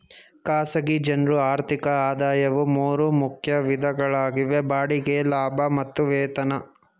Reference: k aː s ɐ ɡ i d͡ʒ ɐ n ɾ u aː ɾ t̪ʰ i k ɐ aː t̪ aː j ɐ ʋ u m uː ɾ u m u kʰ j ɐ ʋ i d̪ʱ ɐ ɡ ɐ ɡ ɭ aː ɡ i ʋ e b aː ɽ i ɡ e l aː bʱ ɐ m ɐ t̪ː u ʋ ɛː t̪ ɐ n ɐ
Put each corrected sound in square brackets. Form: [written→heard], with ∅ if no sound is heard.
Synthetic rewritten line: k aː s ɐ ɡ i d͡ʒ ɐ n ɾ u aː ɾ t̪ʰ i k ɐ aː [t̪→d̪] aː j ɐ ʋ u m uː ɾ u m u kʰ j ɐ ʋ i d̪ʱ ɐ ɡ ɐ [ɡ→∅] ɭ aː ɡ i ʋ e b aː ɽ i ɡ e l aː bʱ ɐ m ɐ t̪ː u ʋ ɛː t̪ ɐ n ɐ